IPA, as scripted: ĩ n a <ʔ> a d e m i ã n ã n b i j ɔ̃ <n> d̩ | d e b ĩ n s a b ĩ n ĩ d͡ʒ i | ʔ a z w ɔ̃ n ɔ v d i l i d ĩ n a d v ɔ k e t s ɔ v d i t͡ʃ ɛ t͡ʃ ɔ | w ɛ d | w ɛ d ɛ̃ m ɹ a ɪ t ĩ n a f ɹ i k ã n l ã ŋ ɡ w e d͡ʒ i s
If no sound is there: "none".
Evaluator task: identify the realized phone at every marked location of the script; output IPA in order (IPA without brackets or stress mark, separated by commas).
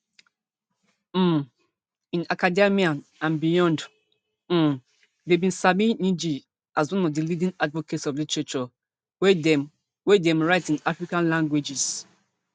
k, n